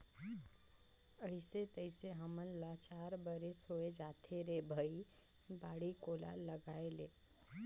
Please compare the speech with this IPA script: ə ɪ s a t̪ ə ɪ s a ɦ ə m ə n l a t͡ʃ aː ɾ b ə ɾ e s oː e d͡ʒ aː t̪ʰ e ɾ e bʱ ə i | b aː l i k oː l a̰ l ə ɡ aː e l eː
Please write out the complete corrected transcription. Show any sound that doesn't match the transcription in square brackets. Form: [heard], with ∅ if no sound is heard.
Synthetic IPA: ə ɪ s [e] t̪ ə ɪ s [e] ɦ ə m ə n l a t͡ʃ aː ɾ b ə ɾ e s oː e d͡ʒ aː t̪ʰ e ɾ e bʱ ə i | b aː [ɽ] i k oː l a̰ l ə ɡ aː e l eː